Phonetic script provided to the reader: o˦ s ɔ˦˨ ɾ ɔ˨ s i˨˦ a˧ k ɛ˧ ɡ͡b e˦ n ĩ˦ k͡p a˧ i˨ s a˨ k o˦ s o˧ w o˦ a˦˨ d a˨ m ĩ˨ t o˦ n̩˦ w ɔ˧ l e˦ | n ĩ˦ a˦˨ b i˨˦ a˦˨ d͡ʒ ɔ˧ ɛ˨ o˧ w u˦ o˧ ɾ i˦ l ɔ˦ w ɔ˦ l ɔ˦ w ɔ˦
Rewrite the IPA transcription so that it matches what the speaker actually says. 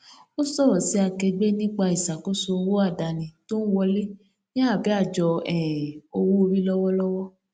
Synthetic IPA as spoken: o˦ s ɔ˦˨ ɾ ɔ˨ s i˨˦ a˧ k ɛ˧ ɡ͡b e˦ n ĩ˦ k͡p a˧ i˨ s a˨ k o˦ s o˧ w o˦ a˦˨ d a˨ n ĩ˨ t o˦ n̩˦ w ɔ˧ l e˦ | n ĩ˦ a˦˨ b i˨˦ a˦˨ d͡ʒ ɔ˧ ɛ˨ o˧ w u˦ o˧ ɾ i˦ l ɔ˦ w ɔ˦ l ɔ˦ w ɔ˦